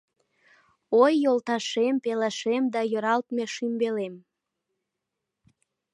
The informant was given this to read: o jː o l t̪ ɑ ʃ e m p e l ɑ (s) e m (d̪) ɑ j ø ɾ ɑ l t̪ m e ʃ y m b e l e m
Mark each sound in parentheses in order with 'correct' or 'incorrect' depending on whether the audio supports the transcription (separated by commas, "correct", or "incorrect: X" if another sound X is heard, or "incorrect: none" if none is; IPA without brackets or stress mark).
incorrect: ʃ, correct